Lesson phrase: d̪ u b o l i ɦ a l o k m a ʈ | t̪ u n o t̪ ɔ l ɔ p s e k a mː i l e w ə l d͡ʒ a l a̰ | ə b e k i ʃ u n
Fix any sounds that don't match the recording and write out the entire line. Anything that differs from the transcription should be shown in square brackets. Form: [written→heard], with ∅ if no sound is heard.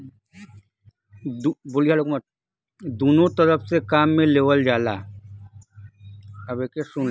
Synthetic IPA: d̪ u b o l i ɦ a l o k m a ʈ | [t̪→d̪] u n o t̪ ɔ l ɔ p s e k a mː [i→e] l e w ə l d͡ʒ a l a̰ | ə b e k [i→e] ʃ u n